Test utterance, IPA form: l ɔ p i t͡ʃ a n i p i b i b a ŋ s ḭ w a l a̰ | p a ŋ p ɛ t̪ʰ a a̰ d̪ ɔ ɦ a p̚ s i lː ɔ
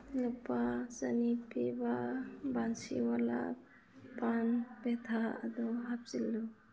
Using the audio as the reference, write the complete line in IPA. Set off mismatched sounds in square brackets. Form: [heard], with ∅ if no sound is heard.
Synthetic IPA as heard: l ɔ p [a] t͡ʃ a n i p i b [a] b a [n] s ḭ w a l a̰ | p a [n] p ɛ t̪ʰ a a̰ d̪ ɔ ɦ a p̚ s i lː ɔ